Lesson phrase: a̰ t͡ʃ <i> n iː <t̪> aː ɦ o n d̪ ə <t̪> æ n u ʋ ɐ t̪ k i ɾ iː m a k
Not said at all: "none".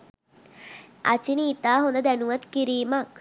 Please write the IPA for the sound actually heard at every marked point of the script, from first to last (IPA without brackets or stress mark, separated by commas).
i, t̪, d̪